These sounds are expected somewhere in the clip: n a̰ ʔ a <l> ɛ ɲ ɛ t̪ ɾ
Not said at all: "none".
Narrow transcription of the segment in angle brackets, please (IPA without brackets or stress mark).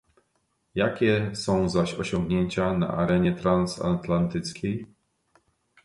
ɾ